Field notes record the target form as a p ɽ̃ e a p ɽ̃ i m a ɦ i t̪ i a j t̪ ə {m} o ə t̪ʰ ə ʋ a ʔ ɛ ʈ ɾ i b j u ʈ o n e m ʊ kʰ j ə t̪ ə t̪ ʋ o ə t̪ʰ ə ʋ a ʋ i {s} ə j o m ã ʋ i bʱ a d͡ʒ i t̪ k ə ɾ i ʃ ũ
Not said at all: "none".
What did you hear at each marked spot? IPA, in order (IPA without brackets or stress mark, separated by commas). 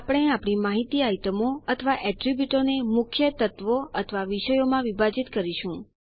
m, ʃ